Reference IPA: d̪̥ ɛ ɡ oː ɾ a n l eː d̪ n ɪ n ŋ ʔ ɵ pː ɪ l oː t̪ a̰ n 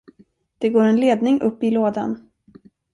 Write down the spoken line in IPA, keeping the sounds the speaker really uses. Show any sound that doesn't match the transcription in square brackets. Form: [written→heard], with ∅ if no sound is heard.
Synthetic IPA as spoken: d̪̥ ɛ ɡ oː ɾ [a→ɛ] n l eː d̪ n ɪ [n→∅] ŋ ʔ ɵ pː ɪ l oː [t̪→d̪] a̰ n